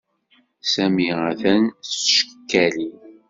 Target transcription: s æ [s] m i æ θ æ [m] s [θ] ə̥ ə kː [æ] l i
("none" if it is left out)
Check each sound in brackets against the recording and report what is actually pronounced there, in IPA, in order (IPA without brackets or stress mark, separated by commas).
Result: none, n, ʃ, æ